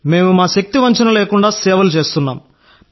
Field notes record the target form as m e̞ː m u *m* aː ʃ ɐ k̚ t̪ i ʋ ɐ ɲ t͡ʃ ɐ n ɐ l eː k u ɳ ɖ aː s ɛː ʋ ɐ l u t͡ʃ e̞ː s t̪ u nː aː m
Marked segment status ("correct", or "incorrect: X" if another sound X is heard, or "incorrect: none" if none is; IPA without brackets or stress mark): correct